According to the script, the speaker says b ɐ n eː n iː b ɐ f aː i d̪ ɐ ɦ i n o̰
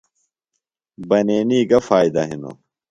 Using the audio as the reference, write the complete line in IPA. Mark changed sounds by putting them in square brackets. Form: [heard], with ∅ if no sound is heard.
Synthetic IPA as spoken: b ɐ n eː n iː [ɡ] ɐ f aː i d̪ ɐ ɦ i n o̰